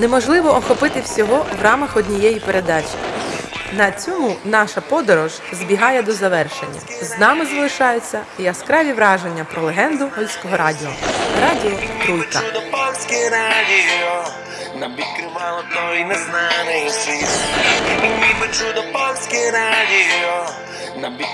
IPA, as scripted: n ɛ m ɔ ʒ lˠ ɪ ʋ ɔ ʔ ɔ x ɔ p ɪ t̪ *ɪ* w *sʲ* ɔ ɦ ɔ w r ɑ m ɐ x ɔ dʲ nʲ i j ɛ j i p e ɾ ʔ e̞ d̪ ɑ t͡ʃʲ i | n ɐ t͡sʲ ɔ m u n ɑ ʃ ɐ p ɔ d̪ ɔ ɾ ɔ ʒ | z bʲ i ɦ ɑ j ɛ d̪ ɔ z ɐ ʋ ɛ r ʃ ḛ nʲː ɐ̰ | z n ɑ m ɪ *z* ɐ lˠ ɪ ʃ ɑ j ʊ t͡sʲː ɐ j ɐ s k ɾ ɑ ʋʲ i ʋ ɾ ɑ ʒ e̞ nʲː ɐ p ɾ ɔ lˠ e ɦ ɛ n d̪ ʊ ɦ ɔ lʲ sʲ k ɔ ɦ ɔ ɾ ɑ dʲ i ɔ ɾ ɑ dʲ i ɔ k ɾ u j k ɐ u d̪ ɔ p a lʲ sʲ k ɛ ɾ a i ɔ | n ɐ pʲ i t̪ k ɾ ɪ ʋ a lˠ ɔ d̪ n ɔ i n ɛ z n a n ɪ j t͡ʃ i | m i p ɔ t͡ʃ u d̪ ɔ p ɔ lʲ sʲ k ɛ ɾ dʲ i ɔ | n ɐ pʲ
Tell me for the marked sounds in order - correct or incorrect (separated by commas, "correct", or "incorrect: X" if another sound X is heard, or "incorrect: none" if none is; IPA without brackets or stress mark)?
correct, correct, correct